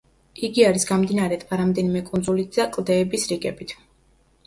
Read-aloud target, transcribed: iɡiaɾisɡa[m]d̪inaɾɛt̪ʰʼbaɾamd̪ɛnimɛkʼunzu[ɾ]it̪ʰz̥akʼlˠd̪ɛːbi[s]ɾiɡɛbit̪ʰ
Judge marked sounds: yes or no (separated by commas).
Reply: yes, no, yes